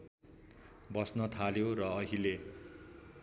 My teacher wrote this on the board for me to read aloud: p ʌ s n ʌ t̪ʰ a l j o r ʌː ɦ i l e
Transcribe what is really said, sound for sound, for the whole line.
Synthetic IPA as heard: b ʌ s n ʌ t̪ʰ a l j o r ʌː ɦ i l e